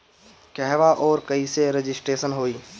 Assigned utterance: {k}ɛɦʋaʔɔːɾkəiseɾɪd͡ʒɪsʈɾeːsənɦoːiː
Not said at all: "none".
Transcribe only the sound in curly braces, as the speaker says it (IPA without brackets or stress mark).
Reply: k